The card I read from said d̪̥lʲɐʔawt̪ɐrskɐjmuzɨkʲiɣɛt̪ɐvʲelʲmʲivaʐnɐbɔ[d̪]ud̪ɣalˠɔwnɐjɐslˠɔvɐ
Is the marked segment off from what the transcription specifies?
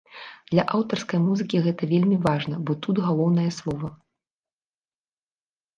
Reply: yes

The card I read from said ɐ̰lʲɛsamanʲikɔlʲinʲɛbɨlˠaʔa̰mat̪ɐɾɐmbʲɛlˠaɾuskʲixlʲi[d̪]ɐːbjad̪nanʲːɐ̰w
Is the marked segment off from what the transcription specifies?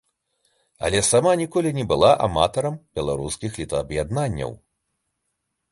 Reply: yes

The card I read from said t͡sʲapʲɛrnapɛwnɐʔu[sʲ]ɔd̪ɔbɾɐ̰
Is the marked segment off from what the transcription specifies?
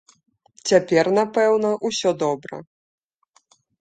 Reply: no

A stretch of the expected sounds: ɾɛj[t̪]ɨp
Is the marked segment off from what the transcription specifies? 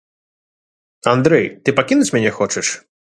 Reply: no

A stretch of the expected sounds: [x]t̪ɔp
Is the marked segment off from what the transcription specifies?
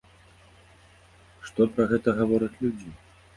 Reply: yes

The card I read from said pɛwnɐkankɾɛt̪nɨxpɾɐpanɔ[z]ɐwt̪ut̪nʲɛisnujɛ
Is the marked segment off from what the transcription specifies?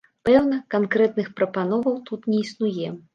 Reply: yes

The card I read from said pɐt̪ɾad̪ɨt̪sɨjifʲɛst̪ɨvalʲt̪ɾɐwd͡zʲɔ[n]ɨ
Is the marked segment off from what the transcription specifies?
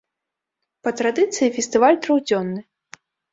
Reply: yes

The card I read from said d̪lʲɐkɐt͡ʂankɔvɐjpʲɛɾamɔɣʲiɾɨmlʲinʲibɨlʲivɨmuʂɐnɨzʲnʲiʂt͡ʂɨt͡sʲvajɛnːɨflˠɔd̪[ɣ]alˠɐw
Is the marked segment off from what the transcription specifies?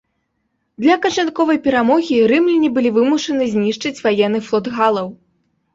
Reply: no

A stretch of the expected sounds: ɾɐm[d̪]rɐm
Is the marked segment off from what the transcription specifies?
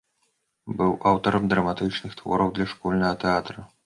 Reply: no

